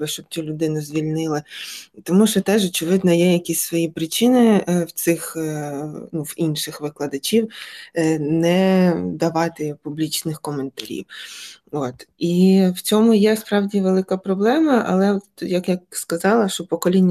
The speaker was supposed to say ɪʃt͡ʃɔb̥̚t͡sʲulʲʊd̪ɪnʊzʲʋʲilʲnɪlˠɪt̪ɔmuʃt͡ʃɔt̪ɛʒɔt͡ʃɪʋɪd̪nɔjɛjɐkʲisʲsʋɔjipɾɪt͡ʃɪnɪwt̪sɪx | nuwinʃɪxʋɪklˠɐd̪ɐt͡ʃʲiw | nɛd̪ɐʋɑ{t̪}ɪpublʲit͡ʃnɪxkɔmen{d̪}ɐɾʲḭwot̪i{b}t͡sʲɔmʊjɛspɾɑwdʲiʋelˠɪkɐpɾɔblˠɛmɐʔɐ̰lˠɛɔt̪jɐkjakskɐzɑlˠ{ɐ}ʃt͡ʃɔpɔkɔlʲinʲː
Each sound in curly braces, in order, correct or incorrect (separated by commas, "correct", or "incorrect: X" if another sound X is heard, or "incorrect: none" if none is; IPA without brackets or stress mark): correct, incorrect: t̪, incorrect: w, correct